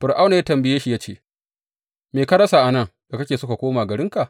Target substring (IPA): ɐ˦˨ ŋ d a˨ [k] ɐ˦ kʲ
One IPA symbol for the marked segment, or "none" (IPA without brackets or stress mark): k